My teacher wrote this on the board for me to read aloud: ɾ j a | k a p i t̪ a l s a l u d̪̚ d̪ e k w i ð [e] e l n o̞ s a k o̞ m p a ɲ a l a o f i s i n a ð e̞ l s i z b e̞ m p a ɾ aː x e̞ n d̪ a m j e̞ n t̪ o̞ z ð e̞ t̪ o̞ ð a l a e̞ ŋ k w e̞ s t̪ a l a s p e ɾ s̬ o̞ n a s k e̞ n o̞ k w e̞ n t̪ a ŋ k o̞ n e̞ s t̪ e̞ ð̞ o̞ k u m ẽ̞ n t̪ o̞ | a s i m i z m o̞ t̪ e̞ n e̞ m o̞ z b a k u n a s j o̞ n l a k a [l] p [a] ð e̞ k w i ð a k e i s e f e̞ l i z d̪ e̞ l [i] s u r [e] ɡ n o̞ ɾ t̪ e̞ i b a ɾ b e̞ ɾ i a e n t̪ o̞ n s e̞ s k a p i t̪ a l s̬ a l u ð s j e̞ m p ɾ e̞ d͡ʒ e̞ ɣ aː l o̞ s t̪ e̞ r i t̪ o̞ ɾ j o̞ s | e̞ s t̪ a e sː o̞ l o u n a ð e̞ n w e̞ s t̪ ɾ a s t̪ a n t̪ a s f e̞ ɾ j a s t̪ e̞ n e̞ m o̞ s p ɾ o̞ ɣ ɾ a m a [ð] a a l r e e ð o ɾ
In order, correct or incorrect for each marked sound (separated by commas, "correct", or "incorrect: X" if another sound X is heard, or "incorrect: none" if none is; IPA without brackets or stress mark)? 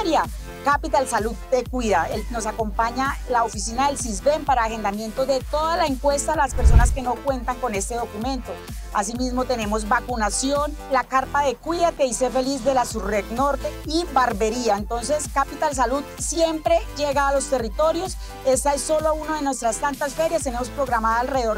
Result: incorrect: a, incorrect: ɾ, correct, incorrect: a, correct, correct